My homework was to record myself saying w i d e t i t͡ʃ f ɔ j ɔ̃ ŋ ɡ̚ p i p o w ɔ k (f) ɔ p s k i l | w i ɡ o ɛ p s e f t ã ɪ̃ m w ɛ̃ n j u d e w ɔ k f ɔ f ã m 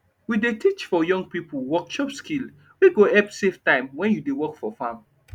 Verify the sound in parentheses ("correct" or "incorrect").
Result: incorrect